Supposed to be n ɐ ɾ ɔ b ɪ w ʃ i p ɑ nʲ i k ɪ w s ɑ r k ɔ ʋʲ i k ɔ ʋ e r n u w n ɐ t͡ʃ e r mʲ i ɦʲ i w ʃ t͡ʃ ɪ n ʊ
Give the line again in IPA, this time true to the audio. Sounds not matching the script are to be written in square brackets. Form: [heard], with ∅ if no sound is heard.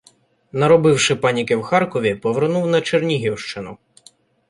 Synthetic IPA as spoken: n ɐ ɾ ɔ b ɪ w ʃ [ɪ] p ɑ nʲ i k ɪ w [x] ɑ r k ɔ ʋʲ i [p] ɔ ʋ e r n u w n ɐ t͡ʃ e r [nʲ] i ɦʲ i w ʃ t͡ʃ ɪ n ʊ